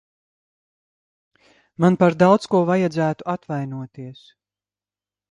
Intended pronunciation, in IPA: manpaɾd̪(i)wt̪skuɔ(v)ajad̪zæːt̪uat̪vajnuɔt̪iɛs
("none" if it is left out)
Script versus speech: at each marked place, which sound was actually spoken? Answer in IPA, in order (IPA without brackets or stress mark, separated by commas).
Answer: a, v